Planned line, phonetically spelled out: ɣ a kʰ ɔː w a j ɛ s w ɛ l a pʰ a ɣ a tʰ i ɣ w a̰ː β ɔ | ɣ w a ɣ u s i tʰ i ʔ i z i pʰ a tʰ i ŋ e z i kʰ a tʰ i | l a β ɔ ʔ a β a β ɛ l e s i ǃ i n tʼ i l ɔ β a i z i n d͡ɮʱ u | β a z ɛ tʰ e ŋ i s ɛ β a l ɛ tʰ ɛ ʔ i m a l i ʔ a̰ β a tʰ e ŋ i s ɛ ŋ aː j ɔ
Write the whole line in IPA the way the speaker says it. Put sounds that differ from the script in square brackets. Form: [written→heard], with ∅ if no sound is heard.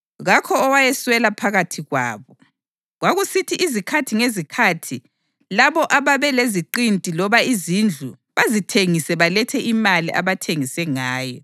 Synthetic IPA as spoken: ɣ a kʰ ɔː w a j ɛ s w ɛ l a pʰ a ɣ a tʰ i ɣ w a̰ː β ɔ | ɣ w a ɣ u s i tʰ i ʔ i z i [pʰ→kʰ] a tʰ i ŋ e z i kʰ a tʰ i | l a β ɔ ʔ a β a β ɛ l e [s→z] i ǃ i n tʼ i l ɔ β a i z i n d͡ɮʱ u | β a z [ɛ→i] tʰ e ŋ i s ɛ β a l ɛ tʰ ɛ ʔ i m a l i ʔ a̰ β a tʰ e ŋ i s ɛ ŋ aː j ɔ

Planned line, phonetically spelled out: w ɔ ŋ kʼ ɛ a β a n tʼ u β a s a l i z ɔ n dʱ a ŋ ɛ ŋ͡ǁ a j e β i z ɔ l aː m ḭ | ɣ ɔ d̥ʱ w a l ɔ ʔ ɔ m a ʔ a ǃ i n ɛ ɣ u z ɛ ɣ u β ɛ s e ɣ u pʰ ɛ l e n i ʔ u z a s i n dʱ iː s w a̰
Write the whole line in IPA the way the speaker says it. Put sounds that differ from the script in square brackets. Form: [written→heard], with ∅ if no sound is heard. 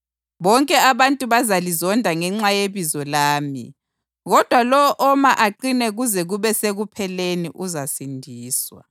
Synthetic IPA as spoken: [w→β] ɔ ŋ kʼ ɛ a β a n tʼ u β a [s→z] a l i z ɔ n dʱ a ŋ ɛ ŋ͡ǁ a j e β i z ɔ l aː m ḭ | ɣ ɔ d̥ʱ w a l ɔ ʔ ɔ m a ʔ a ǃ i n ɛ ɣ u z ɛ ɣ u β ɛ s e ɣ u pʰ ɛ l e n i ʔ u z a s i n dʱ iː s w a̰

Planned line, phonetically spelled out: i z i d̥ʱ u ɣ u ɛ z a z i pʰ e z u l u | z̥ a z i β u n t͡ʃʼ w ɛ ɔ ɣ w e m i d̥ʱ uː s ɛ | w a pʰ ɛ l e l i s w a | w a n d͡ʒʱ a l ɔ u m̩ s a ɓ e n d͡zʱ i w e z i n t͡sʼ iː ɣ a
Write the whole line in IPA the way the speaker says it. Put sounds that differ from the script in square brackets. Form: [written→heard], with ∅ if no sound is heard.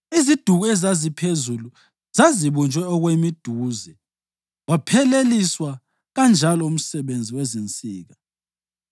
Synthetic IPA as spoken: i z i d̥ʱ u ɣ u ɛ z a z i pʰ e z u l u | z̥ a z i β u n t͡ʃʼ w ɛ ɔ ɣ w e m i d̥ʱ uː [s→z] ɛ | w a pʰ ɛ l e l i s w a | [w→ɣ] a n d͡ʒʱ a l ɔ u m̩ s [a→ɛ] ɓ e n d͡zʱ i w [e→ɛ] z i n t͡sʼ iː ɣ a

